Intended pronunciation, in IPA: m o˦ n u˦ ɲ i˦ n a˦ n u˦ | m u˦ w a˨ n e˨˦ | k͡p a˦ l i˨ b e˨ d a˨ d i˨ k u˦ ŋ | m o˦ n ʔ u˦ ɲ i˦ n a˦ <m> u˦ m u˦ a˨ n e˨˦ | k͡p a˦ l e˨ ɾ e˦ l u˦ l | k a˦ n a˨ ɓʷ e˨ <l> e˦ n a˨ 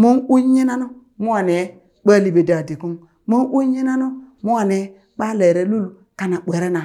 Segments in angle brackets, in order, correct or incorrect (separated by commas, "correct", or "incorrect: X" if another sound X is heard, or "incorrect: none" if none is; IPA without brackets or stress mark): incorrect: n, incorrect: ɾ